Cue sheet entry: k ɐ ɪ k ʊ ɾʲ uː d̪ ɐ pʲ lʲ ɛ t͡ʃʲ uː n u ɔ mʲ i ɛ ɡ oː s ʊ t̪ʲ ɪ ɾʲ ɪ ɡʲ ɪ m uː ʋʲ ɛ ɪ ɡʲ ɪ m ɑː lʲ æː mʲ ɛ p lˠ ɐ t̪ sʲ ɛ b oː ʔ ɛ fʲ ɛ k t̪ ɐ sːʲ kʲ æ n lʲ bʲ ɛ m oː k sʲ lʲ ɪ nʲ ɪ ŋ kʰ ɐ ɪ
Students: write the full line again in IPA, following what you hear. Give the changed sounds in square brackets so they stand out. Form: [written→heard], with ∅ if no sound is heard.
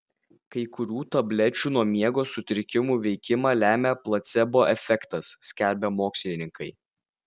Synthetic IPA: k ɐ ɪ k ʊ ɾʲ uː [d̪→t̪] ɐ [pʲ→bʲ] lʲ ɛ t͡ʃʲ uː n u ɔ mʲ i ɛ ɡ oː s ʊ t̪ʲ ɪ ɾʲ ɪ [ɡʲ→kʲ] ɪ m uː ʋʲ ɛ ɪ [ɡʲ→kʲ] ɪ m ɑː lʲ æː mʲ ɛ p lˠ ɐ t̪ sʲ ɛ b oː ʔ ɛ fʲ ɛ k t̪ ɐ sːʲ kʲ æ [n→∅] lʲ bʲ ɛ m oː k sʲ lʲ ɪ nʲ ɪ ŋ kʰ ɐ ɪ